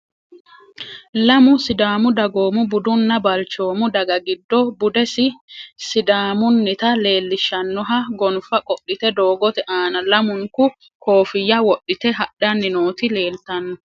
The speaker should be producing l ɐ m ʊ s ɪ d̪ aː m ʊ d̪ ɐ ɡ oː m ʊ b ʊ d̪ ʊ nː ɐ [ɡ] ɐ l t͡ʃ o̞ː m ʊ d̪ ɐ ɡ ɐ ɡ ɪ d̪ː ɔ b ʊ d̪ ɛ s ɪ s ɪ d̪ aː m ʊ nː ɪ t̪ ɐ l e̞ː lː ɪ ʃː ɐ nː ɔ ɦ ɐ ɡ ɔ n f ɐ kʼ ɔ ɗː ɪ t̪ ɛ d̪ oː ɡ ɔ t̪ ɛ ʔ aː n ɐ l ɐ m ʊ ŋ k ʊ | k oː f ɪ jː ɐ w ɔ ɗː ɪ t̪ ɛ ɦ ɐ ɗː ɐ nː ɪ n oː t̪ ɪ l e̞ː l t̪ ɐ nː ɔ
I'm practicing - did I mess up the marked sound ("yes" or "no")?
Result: yes